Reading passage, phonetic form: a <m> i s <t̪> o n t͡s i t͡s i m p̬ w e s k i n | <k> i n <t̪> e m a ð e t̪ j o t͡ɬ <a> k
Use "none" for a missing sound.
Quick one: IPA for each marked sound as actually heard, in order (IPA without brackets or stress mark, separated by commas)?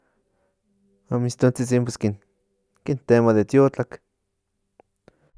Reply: m, t̪, k, t̪, a